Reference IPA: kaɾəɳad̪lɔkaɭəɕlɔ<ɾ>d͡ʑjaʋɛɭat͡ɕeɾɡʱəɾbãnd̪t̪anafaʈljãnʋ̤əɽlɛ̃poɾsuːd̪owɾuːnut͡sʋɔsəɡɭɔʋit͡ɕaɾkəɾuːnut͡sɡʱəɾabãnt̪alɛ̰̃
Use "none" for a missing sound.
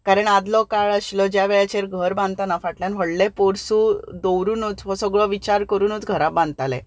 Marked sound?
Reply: none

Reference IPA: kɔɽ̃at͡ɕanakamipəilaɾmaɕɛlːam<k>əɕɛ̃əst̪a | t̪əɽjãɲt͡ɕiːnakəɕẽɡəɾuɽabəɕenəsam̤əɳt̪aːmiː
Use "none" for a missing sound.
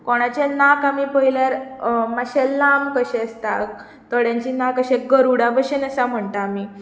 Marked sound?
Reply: k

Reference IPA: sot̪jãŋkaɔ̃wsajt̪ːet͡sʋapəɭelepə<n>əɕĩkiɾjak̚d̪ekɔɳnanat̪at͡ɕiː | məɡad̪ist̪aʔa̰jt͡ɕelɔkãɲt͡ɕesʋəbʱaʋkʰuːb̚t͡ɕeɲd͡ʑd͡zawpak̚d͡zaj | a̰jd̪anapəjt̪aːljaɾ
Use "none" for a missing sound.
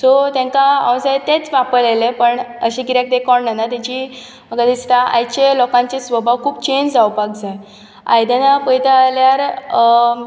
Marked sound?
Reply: ɳ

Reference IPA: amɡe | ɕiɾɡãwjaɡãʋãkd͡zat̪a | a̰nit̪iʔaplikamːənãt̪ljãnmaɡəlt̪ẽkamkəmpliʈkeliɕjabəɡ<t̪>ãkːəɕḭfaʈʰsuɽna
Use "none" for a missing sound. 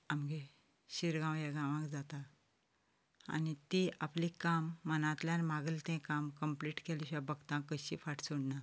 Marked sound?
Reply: t̪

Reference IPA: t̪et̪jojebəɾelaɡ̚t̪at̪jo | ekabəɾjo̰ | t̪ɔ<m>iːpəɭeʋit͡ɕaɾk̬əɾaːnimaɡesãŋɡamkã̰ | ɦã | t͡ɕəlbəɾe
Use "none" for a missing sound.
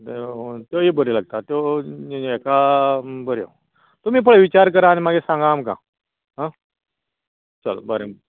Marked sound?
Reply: m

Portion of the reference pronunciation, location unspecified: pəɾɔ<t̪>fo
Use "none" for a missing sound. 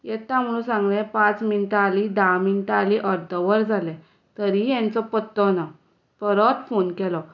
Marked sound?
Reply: t̪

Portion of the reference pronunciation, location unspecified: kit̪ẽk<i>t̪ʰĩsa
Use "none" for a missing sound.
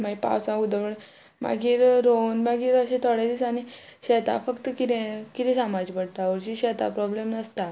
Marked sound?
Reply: i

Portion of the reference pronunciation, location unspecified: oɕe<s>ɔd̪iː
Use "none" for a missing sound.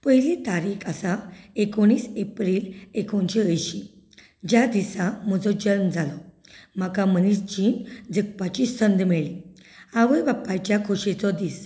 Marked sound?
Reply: t͡s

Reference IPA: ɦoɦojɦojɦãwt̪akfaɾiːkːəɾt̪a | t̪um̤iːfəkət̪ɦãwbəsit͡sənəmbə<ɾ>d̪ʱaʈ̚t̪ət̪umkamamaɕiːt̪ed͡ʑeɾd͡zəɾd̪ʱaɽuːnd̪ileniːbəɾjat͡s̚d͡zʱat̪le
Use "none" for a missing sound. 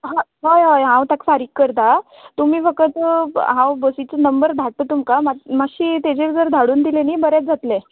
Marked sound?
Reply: ɾ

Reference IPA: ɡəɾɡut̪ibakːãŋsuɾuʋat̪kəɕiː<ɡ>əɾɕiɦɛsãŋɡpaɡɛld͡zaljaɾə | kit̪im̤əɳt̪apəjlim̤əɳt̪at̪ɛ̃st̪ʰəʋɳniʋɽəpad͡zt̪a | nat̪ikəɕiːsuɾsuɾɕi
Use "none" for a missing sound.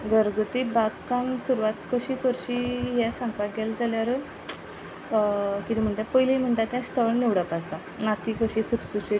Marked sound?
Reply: k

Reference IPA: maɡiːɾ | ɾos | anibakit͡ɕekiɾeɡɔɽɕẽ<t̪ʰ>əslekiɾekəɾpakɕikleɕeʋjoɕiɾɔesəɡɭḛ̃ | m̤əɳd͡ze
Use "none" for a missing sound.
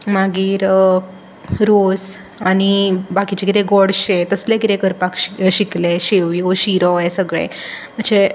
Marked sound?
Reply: t̪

